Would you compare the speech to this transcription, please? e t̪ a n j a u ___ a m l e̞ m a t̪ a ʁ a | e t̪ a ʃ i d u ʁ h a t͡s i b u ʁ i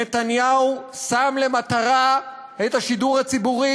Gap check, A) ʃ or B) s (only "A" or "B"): B